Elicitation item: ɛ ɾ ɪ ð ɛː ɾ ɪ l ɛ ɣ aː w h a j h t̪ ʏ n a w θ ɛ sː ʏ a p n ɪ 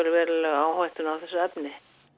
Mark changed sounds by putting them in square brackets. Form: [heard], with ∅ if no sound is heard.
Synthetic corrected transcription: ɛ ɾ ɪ [v] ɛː ɾ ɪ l ɛ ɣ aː w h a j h t̪ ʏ n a w θ ɛ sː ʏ [ɛ] p n ɪ